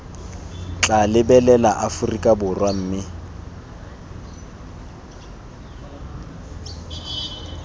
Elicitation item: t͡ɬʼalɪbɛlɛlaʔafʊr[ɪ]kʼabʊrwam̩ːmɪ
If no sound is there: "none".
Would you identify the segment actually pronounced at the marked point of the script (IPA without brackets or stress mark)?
i